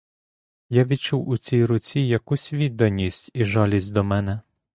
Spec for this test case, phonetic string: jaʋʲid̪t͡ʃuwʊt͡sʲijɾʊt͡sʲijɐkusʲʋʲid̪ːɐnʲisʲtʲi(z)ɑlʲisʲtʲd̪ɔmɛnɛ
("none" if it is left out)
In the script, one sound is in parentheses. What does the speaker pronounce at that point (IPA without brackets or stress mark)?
ʒ